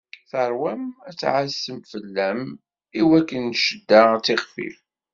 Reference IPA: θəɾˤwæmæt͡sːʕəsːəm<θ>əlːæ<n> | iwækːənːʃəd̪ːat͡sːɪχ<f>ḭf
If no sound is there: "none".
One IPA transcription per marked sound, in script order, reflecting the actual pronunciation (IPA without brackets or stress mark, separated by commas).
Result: f, m, f